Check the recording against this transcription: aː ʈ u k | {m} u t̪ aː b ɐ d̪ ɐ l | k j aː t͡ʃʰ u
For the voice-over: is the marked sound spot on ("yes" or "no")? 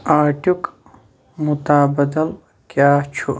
yes